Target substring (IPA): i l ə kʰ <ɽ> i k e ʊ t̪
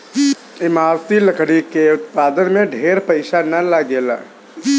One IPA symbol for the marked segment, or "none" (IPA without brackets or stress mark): ɽ